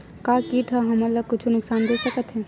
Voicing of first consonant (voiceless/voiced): voiceless